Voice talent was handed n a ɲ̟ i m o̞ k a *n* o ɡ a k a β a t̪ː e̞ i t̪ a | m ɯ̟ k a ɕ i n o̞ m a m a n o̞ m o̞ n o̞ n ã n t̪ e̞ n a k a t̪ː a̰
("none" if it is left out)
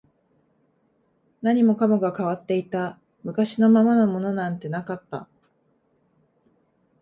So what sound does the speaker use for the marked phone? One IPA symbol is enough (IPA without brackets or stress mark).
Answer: m